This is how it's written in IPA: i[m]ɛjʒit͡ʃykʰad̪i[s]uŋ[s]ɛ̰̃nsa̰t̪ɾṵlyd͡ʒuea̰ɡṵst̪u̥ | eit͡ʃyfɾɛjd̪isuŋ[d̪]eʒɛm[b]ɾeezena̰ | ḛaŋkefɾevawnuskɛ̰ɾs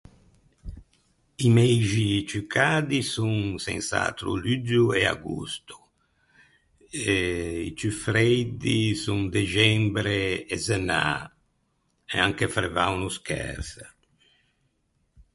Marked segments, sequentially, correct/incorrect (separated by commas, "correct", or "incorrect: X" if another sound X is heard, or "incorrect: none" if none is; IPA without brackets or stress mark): correct, correct, correct, correct, correct